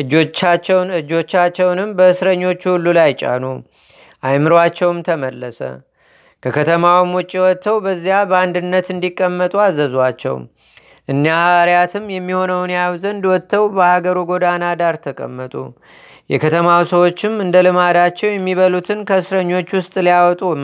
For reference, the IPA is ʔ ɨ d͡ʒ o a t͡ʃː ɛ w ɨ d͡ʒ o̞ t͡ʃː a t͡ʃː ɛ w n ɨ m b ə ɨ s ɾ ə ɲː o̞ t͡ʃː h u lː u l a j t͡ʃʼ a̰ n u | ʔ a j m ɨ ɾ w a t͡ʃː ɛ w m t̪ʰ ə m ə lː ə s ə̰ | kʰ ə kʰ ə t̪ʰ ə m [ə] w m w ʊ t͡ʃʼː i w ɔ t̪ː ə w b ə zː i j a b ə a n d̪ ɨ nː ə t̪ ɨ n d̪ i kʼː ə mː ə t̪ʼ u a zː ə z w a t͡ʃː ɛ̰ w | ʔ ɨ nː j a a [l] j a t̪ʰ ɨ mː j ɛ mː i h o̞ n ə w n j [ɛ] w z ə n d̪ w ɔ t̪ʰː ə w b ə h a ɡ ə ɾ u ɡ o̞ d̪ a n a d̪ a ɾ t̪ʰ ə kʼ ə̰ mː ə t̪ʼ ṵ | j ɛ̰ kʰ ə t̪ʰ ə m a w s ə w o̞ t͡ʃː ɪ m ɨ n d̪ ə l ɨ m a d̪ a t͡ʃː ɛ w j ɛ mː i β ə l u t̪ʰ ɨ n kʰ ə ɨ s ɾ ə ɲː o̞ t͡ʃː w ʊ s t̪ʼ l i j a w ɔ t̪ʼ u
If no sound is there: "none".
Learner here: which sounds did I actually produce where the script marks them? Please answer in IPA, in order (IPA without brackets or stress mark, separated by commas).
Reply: a, ɾ, a